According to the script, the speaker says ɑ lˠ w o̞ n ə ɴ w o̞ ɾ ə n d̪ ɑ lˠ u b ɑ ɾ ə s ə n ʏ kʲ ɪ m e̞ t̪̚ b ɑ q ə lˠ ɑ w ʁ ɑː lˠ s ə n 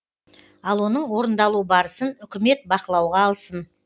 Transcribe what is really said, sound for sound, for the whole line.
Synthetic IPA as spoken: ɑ lˠ w o̞ n ə ɴ w o̞ ɾ ə n d̪ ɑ lˠ u b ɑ ɾ ə s ə n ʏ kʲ ɪ m e̞ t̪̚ b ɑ q ə lˠ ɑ w ʁ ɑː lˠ s ə n